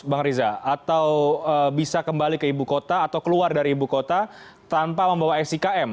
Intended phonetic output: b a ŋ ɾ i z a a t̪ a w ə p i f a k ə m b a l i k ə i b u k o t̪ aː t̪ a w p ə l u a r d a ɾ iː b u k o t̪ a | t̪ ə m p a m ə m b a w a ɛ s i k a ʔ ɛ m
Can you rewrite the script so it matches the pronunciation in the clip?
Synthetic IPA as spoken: b a ŋ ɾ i z a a t̪ a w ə b i s a k ə m b a l i k ə i b u k o t̪ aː t̪ a w k ə l u a r d a ɾ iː b u k o t̪ a | t̪ a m p a m ə m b a w a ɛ s i k a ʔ ɛ m